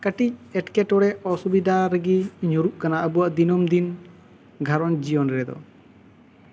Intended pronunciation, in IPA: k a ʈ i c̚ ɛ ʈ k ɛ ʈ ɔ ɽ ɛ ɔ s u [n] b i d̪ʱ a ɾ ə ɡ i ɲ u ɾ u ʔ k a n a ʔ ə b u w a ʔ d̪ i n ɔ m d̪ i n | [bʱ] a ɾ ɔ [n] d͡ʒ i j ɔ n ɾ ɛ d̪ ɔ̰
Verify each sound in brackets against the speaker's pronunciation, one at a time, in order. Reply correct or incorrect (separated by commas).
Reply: incorrect, incorrect, correct